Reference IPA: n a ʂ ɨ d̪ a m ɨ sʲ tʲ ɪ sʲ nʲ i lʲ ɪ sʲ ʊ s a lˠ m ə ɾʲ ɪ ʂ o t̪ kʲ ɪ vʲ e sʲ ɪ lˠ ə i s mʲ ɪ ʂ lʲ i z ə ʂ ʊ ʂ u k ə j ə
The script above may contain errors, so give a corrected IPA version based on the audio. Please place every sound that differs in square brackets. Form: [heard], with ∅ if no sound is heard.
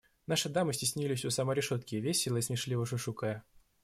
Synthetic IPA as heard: n a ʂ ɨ d̪ a m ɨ sʲ tʲ ɪ sʲ nʲ i lʲ ɪ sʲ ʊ s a [∅] m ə ɾʲ ɪ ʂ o t̪ kʲ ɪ vʲ e sʲ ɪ lˠ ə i s mʲ ɪ ʂ lʲ i [v] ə ʂ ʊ ʂ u k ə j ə